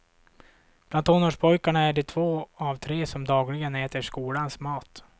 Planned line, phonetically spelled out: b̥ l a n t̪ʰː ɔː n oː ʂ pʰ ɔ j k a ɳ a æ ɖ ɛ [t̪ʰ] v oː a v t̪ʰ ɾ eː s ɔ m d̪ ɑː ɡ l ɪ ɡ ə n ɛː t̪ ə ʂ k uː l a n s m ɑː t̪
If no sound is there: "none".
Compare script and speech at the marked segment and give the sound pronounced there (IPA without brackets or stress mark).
t̪ʰ